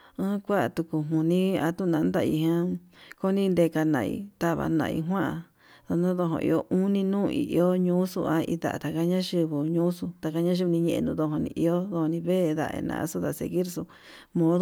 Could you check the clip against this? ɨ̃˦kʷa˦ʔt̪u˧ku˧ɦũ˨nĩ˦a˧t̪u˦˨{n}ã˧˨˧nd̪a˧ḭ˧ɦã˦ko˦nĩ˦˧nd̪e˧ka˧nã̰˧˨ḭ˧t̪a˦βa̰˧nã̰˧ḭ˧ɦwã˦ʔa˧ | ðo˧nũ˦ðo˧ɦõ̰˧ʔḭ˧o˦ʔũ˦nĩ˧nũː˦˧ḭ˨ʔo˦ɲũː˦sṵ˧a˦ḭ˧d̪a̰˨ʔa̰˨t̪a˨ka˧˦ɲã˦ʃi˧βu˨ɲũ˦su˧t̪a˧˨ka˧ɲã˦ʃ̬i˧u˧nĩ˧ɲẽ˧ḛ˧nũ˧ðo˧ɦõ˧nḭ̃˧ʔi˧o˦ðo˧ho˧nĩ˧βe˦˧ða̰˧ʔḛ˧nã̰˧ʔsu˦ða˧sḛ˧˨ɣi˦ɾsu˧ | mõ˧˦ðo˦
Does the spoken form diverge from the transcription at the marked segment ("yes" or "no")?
no